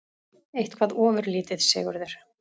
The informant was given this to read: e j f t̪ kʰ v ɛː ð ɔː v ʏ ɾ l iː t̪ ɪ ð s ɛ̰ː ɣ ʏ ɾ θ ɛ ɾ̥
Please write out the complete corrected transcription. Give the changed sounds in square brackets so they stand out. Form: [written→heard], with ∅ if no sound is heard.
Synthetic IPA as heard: e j [f→h] t̪ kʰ v [ɛː→aː] ð ɔː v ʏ ɾ l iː t̪ ɪ ð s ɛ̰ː ɣ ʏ ɾ [θ→ð] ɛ ɾ̥